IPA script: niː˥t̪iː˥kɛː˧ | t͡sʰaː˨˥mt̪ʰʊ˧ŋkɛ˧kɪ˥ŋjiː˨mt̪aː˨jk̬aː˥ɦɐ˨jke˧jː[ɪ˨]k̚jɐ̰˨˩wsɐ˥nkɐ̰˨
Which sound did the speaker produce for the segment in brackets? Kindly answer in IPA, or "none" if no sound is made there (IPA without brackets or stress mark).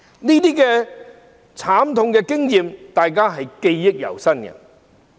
ɪ˥